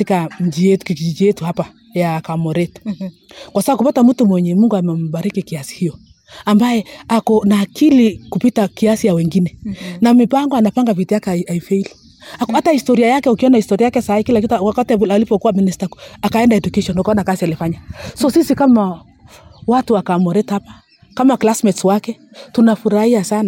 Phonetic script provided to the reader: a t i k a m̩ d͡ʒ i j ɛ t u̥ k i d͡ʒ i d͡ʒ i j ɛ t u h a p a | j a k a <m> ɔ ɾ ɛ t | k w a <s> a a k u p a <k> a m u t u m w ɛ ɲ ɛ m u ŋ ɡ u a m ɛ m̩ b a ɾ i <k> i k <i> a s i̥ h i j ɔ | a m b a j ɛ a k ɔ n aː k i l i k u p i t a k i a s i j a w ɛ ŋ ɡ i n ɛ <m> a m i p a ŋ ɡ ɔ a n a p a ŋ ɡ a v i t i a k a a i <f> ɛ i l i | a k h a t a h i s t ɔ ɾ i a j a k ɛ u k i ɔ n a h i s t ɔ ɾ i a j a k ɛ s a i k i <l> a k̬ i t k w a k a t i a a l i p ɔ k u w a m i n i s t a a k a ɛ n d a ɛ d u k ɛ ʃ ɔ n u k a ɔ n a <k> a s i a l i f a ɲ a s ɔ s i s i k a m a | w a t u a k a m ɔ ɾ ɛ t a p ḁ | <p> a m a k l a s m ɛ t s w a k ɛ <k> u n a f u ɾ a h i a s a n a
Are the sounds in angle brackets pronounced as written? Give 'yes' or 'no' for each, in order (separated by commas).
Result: yes, yes, no, yes, yes, no, yes, yes, yes, no, no